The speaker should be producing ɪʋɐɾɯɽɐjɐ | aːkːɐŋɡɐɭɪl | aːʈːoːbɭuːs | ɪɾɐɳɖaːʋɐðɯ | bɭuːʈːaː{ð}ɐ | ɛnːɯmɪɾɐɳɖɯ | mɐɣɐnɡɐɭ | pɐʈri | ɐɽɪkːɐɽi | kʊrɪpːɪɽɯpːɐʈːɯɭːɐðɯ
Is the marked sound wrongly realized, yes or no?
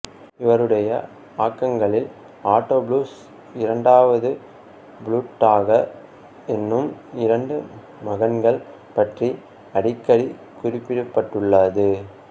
yes